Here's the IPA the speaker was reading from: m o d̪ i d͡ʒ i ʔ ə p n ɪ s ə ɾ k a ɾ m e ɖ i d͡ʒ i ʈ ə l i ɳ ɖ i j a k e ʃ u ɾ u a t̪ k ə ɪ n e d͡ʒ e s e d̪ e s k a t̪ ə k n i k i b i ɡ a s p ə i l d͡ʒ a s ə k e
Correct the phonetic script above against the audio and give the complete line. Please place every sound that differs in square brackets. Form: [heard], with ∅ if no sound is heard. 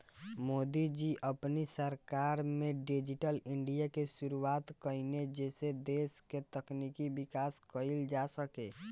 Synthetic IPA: m o d̪ i d͡ʒ i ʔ ə p n [i] s ə ɾ k a ɾ m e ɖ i d͡ʒ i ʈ ə l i ɳ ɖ i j a k e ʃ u ɾ u a t̪ k ə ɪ n e d͡ʒ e s e d̪ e s k [e] t̪ ə k n i k i b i [k] a s [k] ə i l d͡ʒ a s ə k e

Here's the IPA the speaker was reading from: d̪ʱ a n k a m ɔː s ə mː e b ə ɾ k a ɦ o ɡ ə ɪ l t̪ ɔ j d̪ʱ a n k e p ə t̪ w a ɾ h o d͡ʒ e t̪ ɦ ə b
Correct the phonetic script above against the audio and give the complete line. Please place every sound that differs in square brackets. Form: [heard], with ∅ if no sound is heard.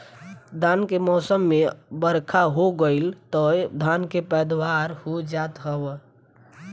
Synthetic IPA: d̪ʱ a n k [e] m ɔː s ə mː e b ə ɾ [kʰ] a ɦ o ɡ ə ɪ l t̪ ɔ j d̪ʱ a n k e p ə [d̪] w a ɾ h o d͡ʒ [a] t̪ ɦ ə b

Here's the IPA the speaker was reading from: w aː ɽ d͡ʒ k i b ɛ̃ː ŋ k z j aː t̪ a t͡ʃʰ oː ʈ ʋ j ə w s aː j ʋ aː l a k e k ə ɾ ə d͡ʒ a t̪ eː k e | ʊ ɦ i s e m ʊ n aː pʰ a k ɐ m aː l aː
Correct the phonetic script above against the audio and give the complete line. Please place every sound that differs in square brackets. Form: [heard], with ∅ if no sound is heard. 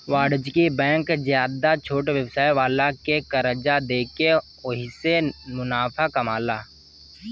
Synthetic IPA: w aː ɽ d͡ʒ k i b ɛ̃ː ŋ k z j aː [d̪] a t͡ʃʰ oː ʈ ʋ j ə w s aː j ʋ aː l a k e k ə ɾ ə d͡ʒ a [d̪] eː k e | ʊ ɦ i s e m ʊ n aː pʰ a k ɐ m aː l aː

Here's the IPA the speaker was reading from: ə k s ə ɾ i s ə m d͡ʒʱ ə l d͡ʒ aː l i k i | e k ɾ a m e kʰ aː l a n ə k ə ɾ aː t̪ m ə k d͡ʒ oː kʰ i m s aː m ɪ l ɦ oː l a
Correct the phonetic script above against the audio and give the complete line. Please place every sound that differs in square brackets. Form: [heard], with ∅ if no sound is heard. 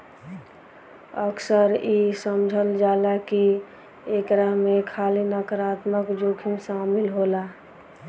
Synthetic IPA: ə k s ə ɾ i s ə m d͡ʒʱ ə l d͡ʒ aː l [a] k i | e k ɾ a m e kʰ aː l [i] n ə k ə ɾ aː t̪ m ə k d͡ʒ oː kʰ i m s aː m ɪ l ɦ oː l a

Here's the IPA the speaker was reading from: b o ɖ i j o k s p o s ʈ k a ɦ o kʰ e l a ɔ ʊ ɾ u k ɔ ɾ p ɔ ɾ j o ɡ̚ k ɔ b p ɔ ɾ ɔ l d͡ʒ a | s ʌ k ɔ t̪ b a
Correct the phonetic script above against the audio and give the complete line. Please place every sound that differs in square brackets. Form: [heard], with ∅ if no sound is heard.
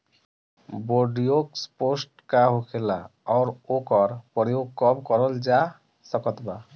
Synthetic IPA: b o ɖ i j o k s p o s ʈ k a ɦ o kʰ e l a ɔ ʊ ɾ [o] k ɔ ɾ p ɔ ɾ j o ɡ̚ k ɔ b [k] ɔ ɾ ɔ l d͡ʒ a | s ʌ k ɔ t̪ b a

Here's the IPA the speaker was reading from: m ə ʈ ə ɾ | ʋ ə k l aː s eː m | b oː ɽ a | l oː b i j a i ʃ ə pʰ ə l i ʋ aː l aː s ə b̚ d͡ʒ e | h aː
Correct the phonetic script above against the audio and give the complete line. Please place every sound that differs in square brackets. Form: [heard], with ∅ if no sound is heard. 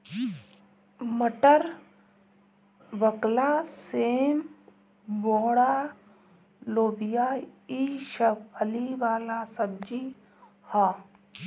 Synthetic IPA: m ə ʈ ə ɾ | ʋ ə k l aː s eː m | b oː ɽ a | l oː b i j a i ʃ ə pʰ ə l i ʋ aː l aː s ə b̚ d͡ʒ [i] | h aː

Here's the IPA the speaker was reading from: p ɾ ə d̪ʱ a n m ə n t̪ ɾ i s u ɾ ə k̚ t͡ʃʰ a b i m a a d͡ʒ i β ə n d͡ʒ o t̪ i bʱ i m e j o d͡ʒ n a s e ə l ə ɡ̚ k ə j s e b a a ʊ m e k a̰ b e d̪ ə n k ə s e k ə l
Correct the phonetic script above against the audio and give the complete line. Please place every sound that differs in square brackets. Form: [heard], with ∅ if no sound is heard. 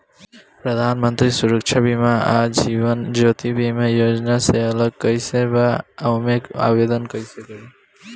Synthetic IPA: p ɾ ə d̪ʱ a n m ə n t̪ ɾ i s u ɾ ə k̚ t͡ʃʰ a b i m a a d͡ʒ i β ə n d͡ʒ o t̪ i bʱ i m e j o d͡ʒ n a s e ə l ə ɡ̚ k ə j s e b a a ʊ m e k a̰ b e d̪ ə n k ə s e k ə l

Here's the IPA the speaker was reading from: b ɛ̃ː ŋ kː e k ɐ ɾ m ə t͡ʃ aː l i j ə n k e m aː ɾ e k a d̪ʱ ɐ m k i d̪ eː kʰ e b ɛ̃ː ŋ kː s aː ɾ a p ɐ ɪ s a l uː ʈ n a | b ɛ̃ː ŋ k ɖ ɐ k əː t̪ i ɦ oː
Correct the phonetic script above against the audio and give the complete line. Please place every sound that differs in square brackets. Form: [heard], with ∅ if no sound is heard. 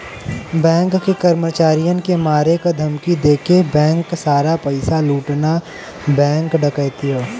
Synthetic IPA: b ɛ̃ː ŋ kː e k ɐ ɾ m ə t͡ʃ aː [ɾ] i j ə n k e m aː ɾ e k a d̪ʱ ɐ m k i d̪ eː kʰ e b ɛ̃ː ŋ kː s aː ɾ a p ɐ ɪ s a l uː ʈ n a | b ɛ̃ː ŋ k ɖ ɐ k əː t̪ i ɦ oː

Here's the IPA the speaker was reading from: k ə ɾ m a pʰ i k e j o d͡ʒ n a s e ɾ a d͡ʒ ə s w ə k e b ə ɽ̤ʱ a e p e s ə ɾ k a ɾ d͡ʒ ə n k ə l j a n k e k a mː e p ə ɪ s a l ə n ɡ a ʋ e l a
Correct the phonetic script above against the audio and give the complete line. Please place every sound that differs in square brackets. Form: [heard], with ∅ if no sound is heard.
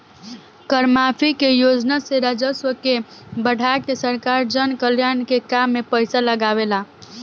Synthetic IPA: k ə ɾ m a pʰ i k e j o d͡ʒ n a s e ɾ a d͡ʒ ə s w ə k e b ə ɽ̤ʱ a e [k] e s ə ɾ k a ɾ d͡ʒ ə n k ə l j a n k e k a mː e p ə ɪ s a l ə [∅] ɡ a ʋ e l a

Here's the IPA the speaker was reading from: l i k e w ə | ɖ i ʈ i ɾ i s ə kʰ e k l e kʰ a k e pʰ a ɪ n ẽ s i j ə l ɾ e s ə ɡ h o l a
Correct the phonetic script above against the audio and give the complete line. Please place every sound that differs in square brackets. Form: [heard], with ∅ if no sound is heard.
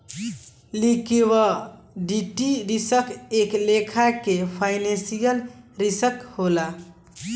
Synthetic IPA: l i k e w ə | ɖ i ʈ i ɾ i s ə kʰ e k l e kʰ a k e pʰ a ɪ n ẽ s i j ə l ɾ [i] s ə [k] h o l a

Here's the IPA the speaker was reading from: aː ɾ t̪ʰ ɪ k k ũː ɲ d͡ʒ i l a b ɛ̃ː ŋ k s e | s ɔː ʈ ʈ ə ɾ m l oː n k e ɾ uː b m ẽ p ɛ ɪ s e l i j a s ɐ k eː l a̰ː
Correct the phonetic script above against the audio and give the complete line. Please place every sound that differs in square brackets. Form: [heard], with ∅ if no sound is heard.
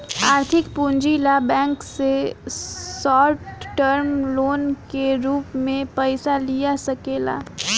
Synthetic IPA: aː ɾ t̪ʰ ɪ k [p] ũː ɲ d͡ʒ i l a b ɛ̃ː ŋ k s e | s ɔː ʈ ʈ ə ɾ m l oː n k e ɾ uː [p] m ẽ p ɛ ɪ s [a] l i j a s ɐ k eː l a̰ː

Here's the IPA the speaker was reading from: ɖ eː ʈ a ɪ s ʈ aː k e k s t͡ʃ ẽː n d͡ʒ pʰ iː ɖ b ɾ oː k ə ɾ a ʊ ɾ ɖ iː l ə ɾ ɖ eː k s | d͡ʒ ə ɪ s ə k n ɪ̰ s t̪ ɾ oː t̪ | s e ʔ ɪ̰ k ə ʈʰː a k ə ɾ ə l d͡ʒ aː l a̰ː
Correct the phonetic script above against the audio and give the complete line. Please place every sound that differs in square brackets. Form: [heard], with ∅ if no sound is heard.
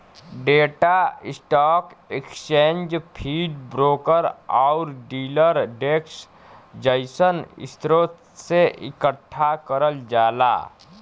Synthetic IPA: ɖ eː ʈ a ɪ s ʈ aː k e k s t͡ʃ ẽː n d͡ʒ pʰ iː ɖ b ɾ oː k ə ɾ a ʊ ɾ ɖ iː l ə ɾ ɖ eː k s | d͡ʒ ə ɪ s ə [∅] n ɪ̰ s t̪ ɾ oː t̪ | s e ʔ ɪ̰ k ə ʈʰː a k ə ɾ ə l d͡ʒ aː l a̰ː

